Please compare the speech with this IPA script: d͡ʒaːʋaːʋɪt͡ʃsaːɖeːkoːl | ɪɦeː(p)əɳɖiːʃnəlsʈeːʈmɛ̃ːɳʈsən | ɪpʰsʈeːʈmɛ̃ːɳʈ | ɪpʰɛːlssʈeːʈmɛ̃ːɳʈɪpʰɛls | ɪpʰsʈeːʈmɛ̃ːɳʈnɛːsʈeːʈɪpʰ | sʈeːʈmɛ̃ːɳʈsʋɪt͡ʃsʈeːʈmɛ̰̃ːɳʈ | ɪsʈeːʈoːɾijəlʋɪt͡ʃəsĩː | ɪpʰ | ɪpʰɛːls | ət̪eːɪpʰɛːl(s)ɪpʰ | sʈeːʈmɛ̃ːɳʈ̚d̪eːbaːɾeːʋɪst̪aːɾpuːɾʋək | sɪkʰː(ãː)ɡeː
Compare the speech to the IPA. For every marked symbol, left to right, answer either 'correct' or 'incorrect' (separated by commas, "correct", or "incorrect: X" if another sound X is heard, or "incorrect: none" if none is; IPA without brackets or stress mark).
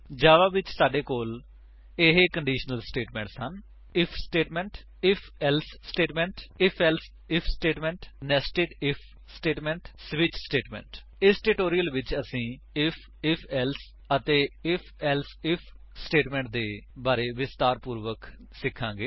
incorrect: k, correct, correct